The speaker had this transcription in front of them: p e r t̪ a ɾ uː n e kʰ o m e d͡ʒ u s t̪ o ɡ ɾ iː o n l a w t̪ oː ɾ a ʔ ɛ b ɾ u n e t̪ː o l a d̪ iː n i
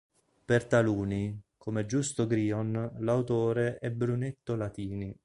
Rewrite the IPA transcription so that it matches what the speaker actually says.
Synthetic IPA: p e r t̪ a l uː n i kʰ o m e d͡ʒ u s t̪ o ɡ ɾ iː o n l a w t̪ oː ɾ e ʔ ɛ b ɾ u n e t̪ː o l a t̪ iː n i

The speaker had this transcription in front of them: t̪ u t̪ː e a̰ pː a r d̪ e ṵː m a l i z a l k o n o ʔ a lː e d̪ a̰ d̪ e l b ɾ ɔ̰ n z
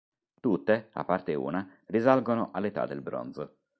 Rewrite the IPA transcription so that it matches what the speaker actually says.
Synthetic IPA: t̪ u t̪ː e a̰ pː a r t̪ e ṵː n a r i z a l ɡ o n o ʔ a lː e t̪ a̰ d̪ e l b ɾ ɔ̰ n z

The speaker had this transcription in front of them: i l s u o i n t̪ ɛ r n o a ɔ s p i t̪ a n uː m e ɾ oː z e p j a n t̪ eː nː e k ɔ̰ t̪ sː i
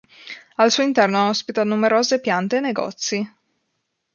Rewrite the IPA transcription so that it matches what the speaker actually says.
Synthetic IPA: a l s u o i n t̪ ɛ r n o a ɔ s p i t̪ a n u m e ɾ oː z e p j a n t̪ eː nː e ɡ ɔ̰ t̪ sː i

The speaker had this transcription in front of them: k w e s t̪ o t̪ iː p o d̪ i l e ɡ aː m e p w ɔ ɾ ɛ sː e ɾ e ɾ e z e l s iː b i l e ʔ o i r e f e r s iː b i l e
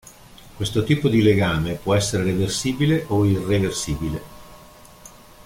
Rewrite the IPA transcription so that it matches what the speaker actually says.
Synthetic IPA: k w e s t̪ o t̪ iː p o d̪ i l e ɡ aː m e p w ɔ ɛ sː e ɾ e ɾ e v e r s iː b i l e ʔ o i r e v e r s iː b i l e

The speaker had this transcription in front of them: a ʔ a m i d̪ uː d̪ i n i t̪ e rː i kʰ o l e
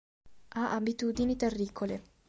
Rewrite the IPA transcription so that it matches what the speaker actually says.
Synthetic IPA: a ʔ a b i t̪ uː d̪ i n i t̪ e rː i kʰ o l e

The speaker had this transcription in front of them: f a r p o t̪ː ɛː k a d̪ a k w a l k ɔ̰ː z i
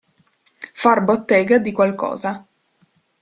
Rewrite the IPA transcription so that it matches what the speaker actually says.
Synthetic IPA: f a r b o t̪ː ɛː ɡ a d̪ i k w a l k ɔ̰ː z a

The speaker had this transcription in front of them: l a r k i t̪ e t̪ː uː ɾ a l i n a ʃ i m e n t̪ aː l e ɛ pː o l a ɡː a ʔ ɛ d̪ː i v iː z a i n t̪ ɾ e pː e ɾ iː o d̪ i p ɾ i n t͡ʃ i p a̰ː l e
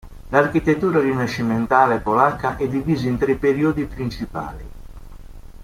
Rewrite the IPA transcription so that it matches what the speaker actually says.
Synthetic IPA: l a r k i t̪ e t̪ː uː ɾ a r i n a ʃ i m e n t̪ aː l e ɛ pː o l a kː a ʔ ɛ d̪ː i v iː z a i n t̪ ɾ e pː e ɾ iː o d̪ i p ɾ i n t͡ʃ i p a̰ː l i

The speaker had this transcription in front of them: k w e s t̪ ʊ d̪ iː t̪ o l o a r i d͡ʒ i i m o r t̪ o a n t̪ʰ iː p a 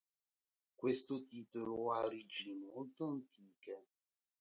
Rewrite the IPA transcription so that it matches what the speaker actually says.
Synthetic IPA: k w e s t̪ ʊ t̪ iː t̪ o l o a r i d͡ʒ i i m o l t̪ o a n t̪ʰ iː k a

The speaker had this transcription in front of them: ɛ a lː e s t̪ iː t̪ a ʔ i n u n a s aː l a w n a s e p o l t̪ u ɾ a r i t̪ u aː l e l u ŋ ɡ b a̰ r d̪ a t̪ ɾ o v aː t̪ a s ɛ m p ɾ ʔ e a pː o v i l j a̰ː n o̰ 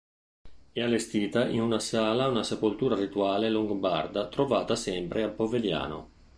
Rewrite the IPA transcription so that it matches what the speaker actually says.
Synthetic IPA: ɛ a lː e s t̪ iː t̪ a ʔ i n u n a s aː l a u n a s e p o l t̪ uː ɾ a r i t̪ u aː l e l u ŋ ɡ b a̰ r d̪ a t̪ ɾ o v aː t̪ a s ɛ m p ɾ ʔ e a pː o v e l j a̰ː n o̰

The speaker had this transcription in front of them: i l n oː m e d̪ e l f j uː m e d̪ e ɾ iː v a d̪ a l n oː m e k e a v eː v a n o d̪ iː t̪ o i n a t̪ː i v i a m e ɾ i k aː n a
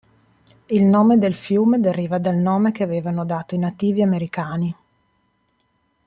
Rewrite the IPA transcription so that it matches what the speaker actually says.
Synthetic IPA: i l n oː m e d̪ e l f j uː m e d̪ e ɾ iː v a d̪ a l n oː m e k e a v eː v a n o d̪ aː t̪ o i n a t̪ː iː v i a m e ɾ i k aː n i

